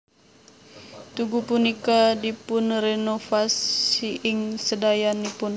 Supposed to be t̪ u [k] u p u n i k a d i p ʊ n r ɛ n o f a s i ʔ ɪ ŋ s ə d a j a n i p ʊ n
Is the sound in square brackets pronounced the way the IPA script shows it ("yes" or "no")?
no